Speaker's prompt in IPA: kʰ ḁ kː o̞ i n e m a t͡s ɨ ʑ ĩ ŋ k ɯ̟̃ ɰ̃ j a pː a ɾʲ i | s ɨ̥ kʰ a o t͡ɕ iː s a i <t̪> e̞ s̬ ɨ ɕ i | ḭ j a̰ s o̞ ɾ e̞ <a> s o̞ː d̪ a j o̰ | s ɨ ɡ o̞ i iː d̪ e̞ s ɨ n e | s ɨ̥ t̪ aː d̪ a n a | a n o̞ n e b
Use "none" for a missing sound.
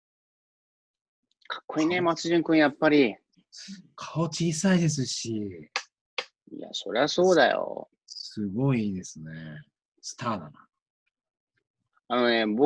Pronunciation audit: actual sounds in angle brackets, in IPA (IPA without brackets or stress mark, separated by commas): d̪, a